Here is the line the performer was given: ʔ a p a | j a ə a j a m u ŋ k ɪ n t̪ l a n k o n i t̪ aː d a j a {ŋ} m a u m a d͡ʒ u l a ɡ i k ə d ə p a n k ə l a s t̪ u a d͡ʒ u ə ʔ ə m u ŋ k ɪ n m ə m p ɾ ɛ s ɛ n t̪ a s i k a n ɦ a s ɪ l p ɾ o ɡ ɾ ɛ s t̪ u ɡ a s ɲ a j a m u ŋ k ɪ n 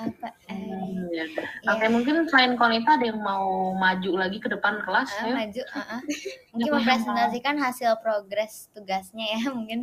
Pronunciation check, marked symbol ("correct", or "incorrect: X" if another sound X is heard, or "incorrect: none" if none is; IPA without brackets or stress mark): correct